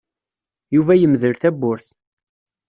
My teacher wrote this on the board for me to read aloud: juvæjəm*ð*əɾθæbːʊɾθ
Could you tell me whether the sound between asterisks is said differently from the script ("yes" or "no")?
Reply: no